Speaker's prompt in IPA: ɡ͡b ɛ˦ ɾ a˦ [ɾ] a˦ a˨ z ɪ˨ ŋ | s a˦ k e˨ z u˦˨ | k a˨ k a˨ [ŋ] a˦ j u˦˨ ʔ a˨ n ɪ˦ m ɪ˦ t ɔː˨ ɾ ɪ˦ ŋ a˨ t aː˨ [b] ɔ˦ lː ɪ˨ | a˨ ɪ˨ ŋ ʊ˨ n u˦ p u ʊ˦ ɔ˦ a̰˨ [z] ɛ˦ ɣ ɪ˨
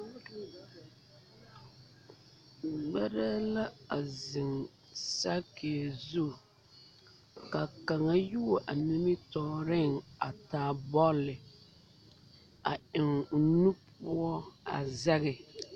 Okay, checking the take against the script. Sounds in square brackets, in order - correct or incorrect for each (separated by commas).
incorrect, correct, correct, correct